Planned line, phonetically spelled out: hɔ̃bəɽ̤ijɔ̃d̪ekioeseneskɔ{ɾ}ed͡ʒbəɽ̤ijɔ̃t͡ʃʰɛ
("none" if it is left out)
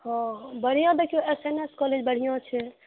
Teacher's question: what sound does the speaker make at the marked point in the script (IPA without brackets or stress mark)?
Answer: l